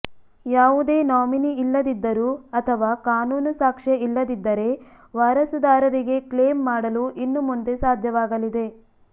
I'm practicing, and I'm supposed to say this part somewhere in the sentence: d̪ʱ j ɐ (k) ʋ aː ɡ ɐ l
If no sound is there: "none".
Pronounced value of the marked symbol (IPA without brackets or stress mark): none